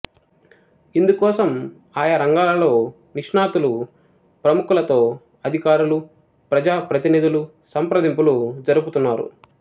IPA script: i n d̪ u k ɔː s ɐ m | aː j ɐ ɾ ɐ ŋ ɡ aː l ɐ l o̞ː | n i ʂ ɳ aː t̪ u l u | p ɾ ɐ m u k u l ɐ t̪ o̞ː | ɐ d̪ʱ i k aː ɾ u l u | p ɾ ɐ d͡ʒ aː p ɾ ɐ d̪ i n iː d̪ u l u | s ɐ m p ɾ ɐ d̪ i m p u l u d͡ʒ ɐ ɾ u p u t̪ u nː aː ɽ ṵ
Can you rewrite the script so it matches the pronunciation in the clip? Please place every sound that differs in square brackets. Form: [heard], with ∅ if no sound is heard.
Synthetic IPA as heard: i n d̪ u k ɔː s ɐ m | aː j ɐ ɾ ɐ ŋ ɡ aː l ɐ l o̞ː | n i ʂ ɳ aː t̪ u l u | p ɾ ɐ m u k u l ɐ t̪ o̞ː | ɐ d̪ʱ i k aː ɾ u l u | p ɾ ɐ d͡ʒ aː p ɾ ɐ [t̪] i n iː d̪ u l u | s ɐ m p ɾ ɐ d̪ i m p u l u d͡ʒ ɐ ɾ u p u t̪ u nː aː [ɾ] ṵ